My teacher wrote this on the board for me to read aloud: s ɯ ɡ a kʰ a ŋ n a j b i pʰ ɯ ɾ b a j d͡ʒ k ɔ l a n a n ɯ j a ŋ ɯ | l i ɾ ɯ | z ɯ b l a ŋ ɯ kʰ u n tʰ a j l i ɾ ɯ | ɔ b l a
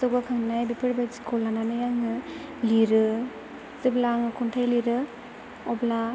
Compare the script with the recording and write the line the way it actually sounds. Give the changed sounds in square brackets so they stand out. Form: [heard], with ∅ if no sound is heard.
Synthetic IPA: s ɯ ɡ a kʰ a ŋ n a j b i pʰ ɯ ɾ b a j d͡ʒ k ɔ l a n a n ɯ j a ŋ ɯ | l i ɾ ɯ | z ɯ b l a ŋ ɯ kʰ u n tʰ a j l i ɾ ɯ | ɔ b l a